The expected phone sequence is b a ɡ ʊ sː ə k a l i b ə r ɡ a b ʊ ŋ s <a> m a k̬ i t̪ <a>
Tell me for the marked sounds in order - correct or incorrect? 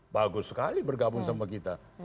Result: correct, correct

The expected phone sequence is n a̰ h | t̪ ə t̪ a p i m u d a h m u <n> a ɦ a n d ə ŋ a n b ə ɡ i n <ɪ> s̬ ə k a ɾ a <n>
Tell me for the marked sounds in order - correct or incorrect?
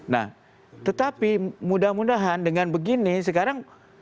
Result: incorrect: d, incorrect: i, incorrect: ŋ

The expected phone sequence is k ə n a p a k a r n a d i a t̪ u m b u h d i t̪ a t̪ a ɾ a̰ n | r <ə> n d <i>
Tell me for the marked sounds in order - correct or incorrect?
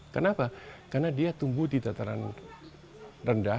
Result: correct, incorrect: a

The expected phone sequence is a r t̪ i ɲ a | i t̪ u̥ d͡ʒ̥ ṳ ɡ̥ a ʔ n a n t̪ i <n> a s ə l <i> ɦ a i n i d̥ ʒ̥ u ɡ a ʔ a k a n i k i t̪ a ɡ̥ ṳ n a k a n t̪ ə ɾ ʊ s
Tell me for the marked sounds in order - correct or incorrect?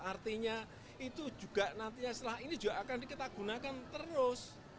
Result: incorrect: ɲ, incorrect: a

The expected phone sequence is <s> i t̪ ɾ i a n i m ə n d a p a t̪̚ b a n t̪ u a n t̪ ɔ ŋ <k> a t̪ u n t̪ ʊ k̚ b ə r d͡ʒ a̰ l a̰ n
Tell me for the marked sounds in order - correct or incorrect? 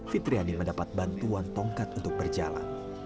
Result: incorrect: f, correct

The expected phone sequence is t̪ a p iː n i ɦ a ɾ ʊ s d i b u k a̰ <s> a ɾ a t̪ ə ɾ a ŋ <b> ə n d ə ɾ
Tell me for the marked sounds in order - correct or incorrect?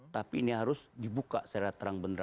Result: correct, correct

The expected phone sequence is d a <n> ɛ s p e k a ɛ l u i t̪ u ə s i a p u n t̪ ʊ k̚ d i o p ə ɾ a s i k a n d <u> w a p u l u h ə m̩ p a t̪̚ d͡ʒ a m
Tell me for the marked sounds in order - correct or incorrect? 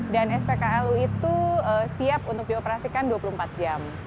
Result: correct, correct

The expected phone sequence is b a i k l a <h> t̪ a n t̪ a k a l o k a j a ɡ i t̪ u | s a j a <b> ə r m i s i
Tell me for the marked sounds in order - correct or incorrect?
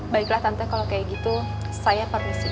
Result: correct, incorrect: p

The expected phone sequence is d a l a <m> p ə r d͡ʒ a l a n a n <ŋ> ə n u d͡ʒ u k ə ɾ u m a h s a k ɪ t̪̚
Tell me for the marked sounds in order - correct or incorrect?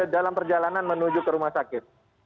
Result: correct, incorrect: m

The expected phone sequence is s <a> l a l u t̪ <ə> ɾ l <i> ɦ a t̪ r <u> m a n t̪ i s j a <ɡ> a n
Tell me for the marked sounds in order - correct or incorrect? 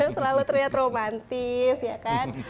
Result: incorrect: ə, correct, correct, incorrect: o, incorrect: k

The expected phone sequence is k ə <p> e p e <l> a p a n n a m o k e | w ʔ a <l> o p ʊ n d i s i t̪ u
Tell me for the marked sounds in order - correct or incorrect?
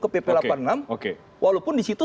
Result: correct, correct, correct

